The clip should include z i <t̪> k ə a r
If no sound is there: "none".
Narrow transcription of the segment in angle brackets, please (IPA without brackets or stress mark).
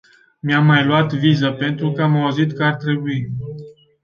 t̪